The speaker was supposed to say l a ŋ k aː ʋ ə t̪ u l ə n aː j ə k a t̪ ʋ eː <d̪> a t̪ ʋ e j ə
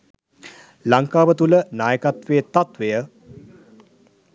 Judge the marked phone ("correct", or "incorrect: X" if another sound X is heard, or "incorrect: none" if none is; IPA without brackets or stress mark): incorrect: t̪